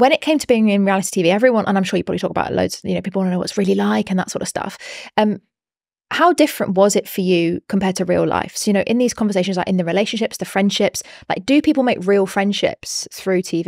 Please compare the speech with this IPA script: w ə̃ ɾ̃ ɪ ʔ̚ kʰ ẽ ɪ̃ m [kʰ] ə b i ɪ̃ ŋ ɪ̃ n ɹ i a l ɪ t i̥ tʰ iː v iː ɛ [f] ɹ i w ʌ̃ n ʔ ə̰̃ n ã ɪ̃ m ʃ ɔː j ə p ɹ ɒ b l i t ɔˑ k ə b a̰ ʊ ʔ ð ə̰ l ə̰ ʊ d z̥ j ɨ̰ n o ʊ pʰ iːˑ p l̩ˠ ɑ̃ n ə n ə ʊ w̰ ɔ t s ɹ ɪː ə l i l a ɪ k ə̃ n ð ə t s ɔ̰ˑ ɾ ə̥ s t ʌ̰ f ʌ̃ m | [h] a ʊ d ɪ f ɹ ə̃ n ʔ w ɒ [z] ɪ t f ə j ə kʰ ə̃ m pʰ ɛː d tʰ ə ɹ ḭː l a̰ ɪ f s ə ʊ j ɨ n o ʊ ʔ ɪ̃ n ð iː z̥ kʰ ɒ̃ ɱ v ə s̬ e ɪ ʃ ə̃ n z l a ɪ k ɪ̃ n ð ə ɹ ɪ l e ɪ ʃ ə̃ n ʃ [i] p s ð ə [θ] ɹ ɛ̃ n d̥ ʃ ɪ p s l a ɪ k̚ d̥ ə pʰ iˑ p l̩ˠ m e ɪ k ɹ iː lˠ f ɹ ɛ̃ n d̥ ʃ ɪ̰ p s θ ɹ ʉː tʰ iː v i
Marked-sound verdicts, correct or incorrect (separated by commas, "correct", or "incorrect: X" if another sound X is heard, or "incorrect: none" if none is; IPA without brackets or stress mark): incorrect: tʰ, incorrect: v, correct, correct, incorrect: ɪ, incorrect: f